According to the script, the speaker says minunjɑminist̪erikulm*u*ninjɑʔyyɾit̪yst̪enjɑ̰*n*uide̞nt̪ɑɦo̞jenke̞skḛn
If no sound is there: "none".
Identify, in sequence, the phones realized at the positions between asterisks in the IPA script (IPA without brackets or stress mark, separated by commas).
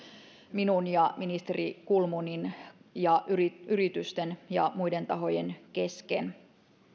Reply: u, m